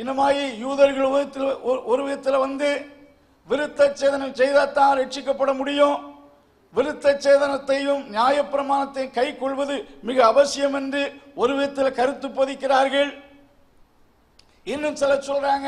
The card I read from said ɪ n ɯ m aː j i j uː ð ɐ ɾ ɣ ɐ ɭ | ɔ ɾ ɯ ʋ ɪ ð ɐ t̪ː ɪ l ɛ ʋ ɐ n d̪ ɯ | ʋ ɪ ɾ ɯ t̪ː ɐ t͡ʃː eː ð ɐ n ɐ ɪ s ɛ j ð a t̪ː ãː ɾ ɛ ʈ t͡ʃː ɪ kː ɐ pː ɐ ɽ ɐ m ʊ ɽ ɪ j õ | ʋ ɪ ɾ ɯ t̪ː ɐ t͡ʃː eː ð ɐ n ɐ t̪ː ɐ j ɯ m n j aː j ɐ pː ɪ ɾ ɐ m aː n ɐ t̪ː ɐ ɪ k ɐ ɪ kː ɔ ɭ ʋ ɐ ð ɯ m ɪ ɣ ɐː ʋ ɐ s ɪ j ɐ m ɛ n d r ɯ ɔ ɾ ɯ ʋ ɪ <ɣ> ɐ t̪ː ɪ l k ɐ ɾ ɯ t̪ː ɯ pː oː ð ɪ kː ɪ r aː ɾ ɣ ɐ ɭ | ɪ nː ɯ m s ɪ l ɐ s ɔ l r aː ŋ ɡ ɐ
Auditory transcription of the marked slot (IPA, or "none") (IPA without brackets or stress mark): ð